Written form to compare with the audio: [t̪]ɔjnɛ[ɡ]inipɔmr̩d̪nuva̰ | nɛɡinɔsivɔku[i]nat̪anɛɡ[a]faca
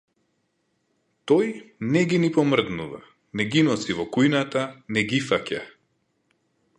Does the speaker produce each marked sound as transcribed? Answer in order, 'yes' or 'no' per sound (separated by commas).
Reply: yes, yes, no, no